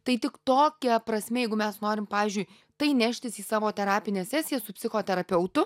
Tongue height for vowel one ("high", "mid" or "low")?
low